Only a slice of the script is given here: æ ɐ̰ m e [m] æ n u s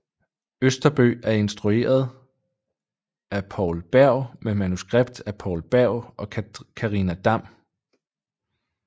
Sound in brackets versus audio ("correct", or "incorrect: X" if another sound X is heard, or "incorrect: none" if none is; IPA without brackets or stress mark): correct